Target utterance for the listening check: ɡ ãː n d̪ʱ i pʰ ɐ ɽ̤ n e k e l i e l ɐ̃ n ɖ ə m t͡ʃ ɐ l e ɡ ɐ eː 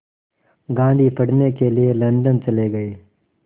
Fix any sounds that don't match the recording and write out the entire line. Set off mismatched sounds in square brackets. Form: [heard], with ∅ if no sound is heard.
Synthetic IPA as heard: ɡ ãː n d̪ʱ i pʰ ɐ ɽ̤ n e k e l i e l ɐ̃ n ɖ ə [n] t͡ʃ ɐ l e ɡ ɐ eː